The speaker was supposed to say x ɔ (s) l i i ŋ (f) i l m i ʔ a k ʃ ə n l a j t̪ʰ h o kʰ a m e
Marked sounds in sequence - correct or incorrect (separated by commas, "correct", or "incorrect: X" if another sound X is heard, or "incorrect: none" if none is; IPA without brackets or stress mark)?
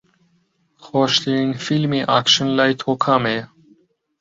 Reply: incorrect: ʃ, correct